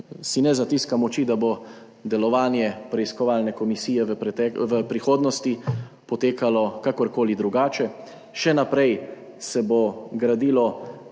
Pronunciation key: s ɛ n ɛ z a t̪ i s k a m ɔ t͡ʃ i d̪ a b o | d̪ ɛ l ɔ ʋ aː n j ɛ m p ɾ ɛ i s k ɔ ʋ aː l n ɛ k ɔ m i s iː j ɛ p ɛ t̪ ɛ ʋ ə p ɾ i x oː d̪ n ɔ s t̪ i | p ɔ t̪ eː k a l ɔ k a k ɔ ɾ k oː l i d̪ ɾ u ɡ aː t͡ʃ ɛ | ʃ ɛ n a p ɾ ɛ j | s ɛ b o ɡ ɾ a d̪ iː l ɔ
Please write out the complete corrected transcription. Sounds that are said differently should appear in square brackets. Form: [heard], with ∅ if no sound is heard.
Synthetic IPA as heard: s [i] n ɛ z a t̪ i s k a m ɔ t͡ʃ i d̪ a b o | d̪ ɛ l ɔ ʋ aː n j ɛ [∅] p ɾ ɛ i s k ɔ ʋ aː l n ɛ k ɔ m i s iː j ɛ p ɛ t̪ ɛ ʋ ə p ɾ i x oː d̪ n ɔ s t̪ i | p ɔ t̪ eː k a l ɔ k a k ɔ ɾ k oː l i d̪ ɾ u ɡ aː t͡ʃ ɛ | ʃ ɛ n a p ɾ ɛ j | s ɛ b o ɡ ɾ a d̪ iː l ɔ